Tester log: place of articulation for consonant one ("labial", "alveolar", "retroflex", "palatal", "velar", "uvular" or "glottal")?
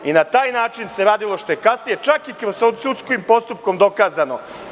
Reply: alveolar